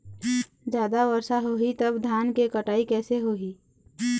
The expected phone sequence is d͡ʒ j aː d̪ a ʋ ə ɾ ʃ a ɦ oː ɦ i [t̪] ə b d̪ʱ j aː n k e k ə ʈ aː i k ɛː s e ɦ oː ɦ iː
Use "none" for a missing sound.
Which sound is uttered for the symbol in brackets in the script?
t̪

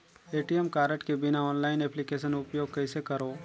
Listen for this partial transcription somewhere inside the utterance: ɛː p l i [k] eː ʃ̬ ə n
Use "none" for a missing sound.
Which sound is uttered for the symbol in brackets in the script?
k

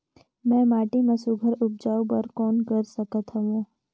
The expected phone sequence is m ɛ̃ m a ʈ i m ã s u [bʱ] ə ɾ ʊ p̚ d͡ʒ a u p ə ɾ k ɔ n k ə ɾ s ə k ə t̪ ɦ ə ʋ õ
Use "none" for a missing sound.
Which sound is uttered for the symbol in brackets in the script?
ɡʱ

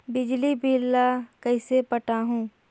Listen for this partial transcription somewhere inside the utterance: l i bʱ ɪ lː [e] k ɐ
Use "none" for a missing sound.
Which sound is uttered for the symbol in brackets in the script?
a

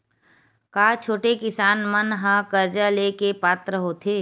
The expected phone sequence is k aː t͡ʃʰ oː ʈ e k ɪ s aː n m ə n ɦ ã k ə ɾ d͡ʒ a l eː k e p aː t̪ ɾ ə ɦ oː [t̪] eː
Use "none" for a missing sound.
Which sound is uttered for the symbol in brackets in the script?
t̪ʰ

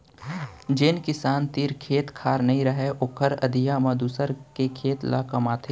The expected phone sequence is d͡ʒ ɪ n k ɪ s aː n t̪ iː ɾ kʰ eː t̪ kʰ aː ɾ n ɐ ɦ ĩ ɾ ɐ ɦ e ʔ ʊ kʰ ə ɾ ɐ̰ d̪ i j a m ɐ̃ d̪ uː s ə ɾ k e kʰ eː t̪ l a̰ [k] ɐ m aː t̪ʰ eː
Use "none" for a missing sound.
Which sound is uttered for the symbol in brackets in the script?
k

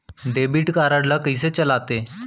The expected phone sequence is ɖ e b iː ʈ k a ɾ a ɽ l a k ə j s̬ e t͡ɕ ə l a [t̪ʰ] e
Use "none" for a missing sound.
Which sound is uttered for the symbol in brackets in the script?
t̪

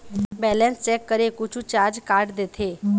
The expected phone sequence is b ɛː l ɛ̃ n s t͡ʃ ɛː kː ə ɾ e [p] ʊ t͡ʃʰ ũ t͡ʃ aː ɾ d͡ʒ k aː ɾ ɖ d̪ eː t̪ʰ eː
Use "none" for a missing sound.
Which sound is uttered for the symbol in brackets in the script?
k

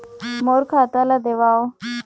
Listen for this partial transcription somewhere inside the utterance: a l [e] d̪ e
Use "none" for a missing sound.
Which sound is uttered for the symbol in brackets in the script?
a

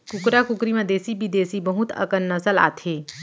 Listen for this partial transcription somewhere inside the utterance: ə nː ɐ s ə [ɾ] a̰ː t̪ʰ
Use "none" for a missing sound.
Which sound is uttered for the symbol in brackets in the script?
l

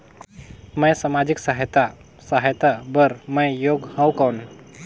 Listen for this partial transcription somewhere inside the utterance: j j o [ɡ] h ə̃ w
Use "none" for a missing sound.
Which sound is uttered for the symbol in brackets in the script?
ɡ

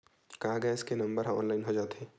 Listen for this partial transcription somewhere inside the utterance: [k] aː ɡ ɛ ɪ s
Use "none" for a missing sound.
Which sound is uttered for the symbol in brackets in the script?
k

